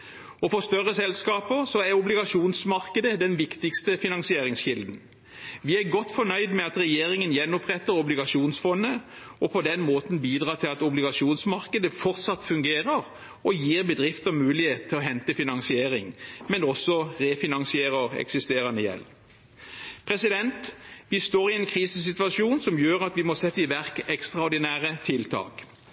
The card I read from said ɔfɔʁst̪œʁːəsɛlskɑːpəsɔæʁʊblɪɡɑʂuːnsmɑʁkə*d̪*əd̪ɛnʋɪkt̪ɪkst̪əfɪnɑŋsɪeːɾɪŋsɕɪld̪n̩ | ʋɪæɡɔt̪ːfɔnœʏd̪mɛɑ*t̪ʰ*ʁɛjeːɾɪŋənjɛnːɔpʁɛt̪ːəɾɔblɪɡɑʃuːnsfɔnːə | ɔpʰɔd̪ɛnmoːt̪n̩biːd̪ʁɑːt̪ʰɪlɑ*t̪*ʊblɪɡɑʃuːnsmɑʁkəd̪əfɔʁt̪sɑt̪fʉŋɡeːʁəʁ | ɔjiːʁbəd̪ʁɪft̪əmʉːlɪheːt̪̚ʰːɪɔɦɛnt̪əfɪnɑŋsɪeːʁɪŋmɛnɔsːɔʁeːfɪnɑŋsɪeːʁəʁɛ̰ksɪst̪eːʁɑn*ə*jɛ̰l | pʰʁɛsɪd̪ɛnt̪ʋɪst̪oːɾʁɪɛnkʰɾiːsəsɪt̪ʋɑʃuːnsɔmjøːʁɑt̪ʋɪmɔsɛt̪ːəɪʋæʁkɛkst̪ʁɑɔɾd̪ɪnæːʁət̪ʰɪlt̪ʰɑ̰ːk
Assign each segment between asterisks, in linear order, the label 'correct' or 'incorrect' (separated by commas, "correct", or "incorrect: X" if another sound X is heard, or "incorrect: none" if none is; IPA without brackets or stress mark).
correct, incorrect: t̪, correct, correct